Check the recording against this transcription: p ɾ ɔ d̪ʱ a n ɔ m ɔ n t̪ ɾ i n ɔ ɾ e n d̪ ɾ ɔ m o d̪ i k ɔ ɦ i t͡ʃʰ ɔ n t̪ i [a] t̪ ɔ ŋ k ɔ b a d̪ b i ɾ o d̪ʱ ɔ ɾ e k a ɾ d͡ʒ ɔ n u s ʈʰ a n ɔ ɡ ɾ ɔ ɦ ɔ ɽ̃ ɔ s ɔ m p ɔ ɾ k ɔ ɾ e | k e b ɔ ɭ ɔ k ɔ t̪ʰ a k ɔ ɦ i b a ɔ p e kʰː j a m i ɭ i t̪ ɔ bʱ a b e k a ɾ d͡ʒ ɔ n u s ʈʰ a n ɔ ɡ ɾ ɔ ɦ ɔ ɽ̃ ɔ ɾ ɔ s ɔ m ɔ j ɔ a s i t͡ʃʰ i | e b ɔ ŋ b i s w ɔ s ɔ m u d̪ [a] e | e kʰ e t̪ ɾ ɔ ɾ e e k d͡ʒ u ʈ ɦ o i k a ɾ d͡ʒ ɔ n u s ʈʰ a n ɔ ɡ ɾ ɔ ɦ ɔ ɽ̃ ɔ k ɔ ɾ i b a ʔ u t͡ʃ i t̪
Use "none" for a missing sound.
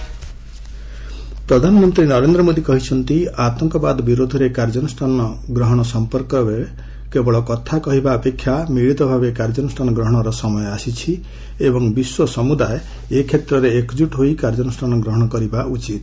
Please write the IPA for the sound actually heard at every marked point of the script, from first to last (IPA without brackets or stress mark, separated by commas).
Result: a, a